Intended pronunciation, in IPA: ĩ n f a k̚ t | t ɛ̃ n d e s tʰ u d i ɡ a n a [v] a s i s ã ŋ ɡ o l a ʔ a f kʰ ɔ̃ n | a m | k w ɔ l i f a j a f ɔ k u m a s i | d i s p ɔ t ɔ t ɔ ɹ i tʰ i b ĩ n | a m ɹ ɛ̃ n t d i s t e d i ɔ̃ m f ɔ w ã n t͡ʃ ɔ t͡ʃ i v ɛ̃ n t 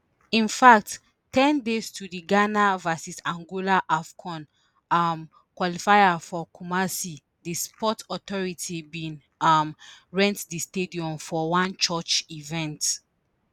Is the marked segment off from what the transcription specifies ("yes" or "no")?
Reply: no